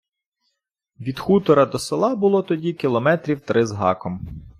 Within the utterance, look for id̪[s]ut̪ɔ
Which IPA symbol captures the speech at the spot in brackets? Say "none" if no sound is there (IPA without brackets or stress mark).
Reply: x